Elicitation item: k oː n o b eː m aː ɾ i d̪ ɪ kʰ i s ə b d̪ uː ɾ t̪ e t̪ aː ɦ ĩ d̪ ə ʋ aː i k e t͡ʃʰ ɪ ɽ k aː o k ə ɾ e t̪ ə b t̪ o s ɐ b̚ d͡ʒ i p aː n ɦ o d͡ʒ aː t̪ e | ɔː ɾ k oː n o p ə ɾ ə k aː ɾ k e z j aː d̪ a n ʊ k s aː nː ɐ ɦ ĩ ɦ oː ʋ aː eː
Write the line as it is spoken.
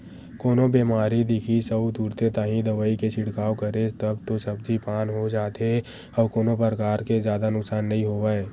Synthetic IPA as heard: k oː n o b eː m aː ɾ i d̪ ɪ kʰ i s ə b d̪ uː ɾ t̪ e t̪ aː ɦ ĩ d̪ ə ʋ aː i k e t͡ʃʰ ɪ ɽ k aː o k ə ɾ e t̪ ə b t̪ o s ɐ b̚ d͡ʒ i p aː n ɦ o d͡ʒ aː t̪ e | ɔː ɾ k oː n o p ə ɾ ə k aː ɾ k e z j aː d̪ a n ʊ k s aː nː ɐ ɦ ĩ ɦ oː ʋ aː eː